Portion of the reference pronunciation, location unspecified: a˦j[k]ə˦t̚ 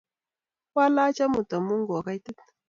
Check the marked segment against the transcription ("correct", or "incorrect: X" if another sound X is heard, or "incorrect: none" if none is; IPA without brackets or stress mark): incorrect: t